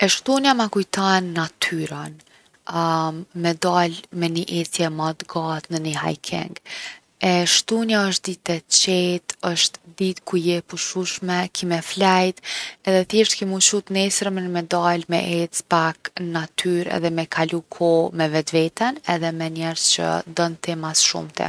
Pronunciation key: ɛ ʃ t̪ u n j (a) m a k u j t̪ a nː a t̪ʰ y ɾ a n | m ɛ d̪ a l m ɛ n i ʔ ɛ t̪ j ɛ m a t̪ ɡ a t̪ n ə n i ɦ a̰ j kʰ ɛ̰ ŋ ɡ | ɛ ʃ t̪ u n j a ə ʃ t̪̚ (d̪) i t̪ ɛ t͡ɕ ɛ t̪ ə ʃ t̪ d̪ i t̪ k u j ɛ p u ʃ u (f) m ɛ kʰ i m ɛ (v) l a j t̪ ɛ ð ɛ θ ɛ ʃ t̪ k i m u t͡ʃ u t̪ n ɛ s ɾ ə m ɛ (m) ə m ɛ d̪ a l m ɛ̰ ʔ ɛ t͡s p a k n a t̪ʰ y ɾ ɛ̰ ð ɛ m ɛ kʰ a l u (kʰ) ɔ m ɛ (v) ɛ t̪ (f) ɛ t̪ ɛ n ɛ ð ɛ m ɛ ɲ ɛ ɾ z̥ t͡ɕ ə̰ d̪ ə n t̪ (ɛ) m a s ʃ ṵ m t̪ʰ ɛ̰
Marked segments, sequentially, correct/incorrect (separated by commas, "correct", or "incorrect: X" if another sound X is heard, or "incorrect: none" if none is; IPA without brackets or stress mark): correct, correct, incorrect: ʃ, incorrect: f, incorrect: n, correct, correct, incorrect: v, correct